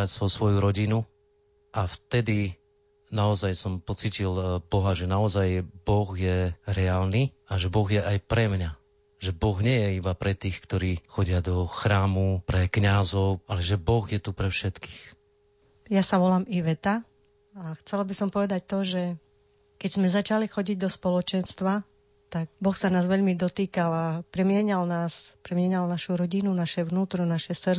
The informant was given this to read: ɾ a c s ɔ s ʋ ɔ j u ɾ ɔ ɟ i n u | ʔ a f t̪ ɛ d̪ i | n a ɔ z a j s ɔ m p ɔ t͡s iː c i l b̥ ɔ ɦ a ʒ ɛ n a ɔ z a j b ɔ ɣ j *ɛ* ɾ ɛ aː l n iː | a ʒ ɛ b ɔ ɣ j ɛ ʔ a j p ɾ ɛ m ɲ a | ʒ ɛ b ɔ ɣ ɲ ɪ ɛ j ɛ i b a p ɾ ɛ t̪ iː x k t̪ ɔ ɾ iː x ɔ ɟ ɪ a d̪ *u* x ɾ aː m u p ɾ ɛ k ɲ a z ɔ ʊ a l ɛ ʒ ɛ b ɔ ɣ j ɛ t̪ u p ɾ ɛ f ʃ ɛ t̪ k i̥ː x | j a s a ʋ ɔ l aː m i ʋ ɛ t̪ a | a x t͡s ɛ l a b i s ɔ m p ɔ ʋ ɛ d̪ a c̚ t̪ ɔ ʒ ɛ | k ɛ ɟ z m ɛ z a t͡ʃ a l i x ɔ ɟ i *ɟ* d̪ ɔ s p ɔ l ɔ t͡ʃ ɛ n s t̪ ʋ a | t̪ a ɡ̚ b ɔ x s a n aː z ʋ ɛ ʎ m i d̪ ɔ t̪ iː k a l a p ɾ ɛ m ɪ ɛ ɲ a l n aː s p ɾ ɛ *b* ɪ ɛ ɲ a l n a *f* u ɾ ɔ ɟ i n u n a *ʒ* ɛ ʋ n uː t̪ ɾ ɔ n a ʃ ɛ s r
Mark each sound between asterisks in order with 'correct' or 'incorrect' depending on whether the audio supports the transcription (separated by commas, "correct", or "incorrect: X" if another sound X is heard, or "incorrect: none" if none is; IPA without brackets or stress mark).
correct, incorrect: ɔ, correct, incorrect: m, incorrect: ʃ, incorrect: ʃ